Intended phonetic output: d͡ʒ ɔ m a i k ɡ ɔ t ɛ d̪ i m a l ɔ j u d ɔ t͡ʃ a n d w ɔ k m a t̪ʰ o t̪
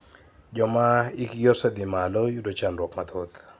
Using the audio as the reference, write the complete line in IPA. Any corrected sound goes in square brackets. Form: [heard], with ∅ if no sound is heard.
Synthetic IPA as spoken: d͡ʒ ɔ m a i k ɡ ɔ [s] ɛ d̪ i m a l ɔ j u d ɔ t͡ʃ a n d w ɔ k m a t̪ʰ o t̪